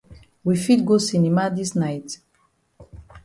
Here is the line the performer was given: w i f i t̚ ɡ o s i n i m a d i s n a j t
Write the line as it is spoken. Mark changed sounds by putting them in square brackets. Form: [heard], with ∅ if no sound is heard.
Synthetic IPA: w i f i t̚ ɡ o s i n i m a d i s n a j t